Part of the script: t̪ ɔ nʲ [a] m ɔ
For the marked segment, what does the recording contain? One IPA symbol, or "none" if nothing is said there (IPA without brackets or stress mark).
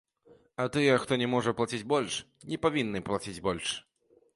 ɛ